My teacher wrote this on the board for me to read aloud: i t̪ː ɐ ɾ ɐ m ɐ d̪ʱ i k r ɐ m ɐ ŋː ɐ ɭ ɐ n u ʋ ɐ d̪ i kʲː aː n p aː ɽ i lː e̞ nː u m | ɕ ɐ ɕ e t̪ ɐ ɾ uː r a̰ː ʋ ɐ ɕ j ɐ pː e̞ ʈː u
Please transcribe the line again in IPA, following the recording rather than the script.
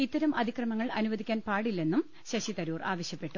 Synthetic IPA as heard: i t̪ː ɐ ɾ ɐ m ɐ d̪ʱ i k r ɐ m ɐ ŋː ɐ ɭ ɐ n u ʋ ɐ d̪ i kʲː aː n p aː ɽ i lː e̞ nː u m | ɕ ɐ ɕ i t̪ ɐ ɾ uː r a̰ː ʋ ɐ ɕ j ɐ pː e̞ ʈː u